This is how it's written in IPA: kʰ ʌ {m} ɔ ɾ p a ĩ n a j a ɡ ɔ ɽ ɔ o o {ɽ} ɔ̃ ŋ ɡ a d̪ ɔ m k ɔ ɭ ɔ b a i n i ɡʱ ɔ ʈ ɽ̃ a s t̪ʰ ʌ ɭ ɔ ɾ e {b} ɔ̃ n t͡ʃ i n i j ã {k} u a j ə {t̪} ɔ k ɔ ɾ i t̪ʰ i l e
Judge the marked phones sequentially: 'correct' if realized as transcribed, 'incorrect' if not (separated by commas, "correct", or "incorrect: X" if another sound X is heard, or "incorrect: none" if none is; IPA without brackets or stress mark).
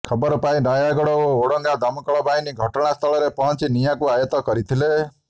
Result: incorrect: b, correct, incorrect: p, correct, correct